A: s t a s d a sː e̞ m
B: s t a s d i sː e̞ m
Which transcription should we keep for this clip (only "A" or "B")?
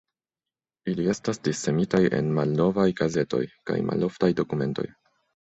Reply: B